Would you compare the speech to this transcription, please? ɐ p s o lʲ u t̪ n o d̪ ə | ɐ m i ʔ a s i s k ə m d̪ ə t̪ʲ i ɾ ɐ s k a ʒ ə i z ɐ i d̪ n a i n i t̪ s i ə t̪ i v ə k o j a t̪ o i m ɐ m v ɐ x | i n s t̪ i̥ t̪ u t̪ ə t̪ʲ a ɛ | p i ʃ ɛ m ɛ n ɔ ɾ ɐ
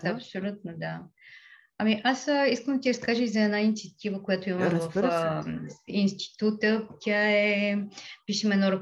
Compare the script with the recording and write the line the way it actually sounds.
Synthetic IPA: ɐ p s o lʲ u t̪ n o d̪ a | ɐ m i ʔ a s i s k ə m d̪ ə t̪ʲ i ɾ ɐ s k a ʒ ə i z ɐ ɛ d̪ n a i n i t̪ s i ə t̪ i v ə k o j a t̪ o i m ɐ m v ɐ f | i n s t̪ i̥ t̪ u t̪ ə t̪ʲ a ɛ | p i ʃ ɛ m ɛ n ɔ ɾ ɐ